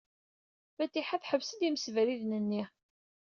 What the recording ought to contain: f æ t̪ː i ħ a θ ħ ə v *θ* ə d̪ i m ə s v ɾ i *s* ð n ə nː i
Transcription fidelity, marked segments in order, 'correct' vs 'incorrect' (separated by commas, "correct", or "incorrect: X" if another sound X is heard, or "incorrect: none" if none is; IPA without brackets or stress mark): incorrect: s, incorrect: none